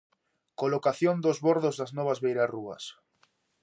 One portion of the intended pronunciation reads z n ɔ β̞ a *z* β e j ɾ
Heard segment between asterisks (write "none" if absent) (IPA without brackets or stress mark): z